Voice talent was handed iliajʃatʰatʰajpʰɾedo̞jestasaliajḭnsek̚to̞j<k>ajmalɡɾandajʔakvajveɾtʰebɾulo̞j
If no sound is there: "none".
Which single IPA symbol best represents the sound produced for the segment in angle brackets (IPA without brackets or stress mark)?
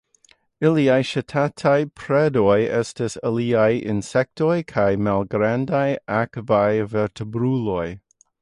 kʰ